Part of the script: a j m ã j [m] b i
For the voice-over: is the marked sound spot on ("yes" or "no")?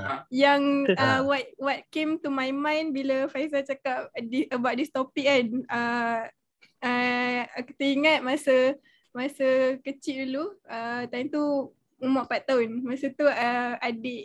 no